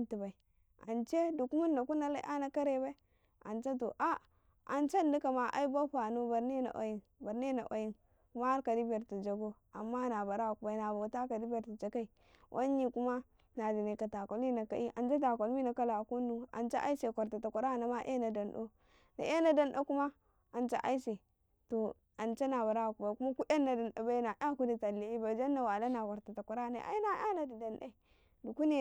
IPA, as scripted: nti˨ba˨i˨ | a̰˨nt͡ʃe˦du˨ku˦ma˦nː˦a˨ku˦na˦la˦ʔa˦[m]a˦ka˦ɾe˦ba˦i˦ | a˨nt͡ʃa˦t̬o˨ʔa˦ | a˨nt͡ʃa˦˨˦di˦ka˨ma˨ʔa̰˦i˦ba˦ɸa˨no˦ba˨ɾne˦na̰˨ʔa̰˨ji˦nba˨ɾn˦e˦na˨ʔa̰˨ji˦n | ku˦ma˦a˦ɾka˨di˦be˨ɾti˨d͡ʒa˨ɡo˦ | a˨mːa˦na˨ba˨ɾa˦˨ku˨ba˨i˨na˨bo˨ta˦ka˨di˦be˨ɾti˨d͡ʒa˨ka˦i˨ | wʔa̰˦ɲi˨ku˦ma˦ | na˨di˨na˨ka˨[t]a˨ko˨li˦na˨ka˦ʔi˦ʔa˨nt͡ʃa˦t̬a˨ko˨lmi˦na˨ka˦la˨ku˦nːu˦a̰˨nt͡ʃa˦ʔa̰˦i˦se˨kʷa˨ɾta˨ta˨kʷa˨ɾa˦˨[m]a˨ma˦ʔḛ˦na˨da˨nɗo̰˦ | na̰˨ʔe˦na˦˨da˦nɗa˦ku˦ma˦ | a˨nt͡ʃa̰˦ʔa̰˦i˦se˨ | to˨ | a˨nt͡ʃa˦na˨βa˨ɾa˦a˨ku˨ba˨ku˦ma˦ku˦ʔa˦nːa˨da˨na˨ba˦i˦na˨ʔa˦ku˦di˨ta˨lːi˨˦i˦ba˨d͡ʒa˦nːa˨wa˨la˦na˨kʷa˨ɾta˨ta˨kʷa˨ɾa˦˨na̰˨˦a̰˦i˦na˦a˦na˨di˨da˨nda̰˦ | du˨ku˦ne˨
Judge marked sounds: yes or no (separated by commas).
no, yes, no